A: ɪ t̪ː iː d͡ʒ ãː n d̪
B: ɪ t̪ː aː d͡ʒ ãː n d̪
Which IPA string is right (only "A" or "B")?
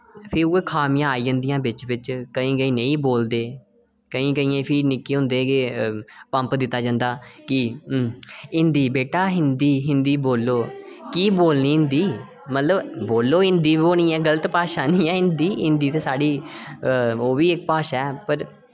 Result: B